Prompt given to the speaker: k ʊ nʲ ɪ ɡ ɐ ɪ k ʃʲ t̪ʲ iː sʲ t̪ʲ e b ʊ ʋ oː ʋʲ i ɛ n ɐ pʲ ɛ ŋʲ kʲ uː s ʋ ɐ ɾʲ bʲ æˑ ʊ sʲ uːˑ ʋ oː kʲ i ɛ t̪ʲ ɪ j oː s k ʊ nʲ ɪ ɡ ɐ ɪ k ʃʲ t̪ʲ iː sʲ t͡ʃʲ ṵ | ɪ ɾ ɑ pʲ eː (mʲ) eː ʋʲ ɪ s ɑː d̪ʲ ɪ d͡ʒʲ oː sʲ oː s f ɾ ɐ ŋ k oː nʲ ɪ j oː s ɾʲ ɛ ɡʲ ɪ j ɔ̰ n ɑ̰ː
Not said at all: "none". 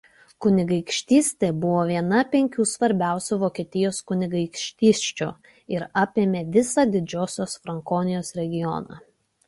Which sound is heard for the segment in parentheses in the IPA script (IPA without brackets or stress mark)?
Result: mʲ